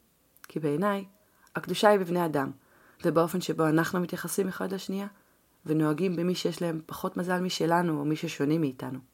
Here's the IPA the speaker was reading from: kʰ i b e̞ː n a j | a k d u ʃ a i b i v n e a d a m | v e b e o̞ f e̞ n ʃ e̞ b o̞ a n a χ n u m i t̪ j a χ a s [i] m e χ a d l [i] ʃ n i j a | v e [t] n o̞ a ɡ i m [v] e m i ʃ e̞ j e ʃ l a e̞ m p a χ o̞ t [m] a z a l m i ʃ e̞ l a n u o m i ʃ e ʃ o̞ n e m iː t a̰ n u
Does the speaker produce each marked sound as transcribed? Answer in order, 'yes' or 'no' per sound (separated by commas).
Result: yes, no, no, no, yes